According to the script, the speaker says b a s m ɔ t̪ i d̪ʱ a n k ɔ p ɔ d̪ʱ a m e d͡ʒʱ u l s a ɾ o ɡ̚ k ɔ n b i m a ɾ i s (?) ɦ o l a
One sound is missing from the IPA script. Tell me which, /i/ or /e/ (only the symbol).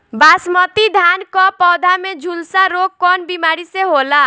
e